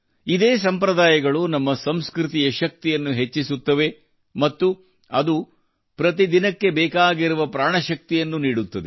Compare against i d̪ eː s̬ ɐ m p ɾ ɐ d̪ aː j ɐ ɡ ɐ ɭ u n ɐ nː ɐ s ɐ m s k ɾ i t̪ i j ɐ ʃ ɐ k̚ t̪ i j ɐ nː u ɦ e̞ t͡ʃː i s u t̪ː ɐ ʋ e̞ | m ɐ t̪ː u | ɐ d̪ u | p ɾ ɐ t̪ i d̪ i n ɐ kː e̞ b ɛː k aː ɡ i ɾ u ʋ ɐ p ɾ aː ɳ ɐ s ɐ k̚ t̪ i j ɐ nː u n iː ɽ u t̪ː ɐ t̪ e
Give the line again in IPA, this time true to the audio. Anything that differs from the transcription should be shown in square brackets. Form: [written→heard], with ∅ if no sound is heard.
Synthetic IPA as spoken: i d̪ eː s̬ ɐ m p ɾ ɐ d̪ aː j ɐ ɡ ɐ ɭ u n ɐ [nː→mː] ɐ s ɐ m s k ɾ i t̪ i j ɐ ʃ ɐ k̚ t̪ i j ɐ nː u ɦ e̞ t͡ʃː i s u t̪ː ɐ ʋ e̞ | m ɐ t̪ː u | ɐ d̪ u | p ɾ ɐ t̪ i d̪ i n ɐ kː e̞ b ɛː k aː ɡ i ɾ u ʋ ɐ p ɾ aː ɳ ɐ [s→ʃ] ɐ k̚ t̪ i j ɐ nː u n iː ɽ u t̪ː ɐ [t̪→d̪] e

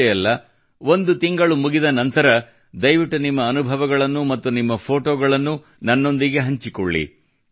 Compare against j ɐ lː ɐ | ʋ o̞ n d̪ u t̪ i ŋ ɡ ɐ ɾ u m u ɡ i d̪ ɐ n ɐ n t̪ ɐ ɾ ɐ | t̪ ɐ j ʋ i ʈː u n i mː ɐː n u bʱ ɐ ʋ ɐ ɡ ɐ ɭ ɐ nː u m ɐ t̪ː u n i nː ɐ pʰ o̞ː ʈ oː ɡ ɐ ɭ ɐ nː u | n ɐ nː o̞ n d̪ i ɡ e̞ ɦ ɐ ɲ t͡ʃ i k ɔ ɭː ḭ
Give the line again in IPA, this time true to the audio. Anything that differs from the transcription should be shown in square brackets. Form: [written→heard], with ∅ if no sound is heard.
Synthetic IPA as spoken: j ɐ lː ɐ | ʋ o̞ n d̪ u t̪ i ŋ ɡ ɐ [ɾ→ɭ] u m u ɡ i d̪ ɐ n ɐ n t̪ ɐ ɾ ɐ | [t̪→d̪] ɐ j ʋ i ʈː u n i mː ɐː n u bʱ ɐ ʋ ɐ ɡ ɐ ɭ ɐ nː u m ɐ t̪ː u n i [nː→mː] ɐ pʰ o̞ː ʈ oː ɡ ɐ ɭ ɐ nː u | n ɐ nː o̞ n d̪ i ɡ e̞ ɦ ɐ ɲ t͡ʃ i k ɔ ɭː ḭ

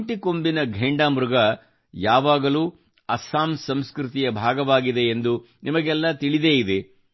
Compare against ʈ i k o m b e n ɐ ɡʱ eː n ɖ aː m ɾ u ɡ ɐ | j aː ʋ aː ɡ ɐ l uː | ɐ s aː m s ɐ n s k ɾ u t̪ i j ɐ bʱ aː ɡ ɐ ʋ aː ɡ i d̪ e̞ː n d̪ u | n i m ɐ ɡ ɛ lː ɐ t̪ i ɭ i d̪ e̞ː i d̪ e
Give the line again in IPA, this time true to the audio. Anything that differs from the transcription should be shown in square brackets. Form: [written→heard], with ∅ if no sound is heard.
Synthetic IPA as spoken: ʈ i k o m b [e→i] n ɐ ɡʱ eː [n→ɳ] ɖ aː m ɾ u ɡ ɐ | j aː ʋ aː ɡ ɐ l uː | ɐ s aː m s ɐ [n→m] s k ɾ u t̪ i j ɐ bʱ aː ɡ ɐ ʋ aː ɡ i d̪ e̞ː n d̪ u | n i m ɐ ɡ ɛ lː ɐ t̪ i ɭ i d̪ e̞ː i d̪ e

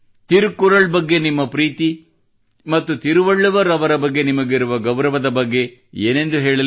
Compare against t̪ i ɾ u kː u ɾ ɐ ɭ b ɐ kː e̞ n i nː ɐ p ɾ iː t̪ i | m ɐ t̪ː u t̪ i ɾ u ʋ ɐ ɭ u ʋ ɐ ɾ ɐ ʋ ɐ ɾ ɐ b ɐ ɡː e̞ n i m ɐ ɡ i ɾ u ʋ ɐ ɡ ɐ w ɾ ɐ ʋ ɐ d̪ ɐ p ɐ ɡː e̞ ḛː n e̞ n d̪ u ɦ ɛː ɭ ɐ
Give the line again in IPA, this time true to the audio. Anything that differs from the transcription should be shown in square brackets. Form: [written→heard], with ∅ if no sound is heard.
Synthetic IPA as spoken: t̪ i ɾ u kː u ɾ ɐ ɭ b ɐ [kː→ɡː] e̞ n i [nː→mː] ɐ p ɾ iː t̪ i | m ɐ t̪ː u t̪ i ɾ u ʋ ɐ [ɭ→ɭː] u ʋ ɐ ɾ ɐ ʋ ɐ ɾ ɐ b ɐ ɡː e̞ n i m ɐ ɡ i ɾ u ʋ ɐ ɡ ɐ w ɾ ɐ ʋ ɐ d̪ ɐ [p→b] ɐ ɡː e̞ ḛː n e̞ n d̪ u ɦ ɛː ɭ ɐ

